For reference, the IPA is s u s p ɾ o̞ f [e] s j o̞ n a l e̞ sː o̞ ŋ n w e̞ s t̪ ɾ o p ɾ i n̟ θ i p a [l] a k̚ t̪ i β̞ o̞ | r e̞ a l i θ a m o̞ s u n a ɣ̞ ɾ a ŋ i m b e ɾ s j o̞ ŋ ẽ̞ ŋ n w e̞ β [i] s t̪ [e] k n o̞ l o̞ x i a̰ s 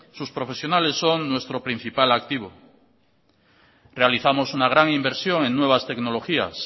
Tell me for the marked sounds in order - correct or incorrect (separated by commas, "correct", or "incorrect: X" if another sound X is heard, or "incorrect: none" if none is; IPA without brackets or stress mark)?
correct, correct, incorrect: a, correct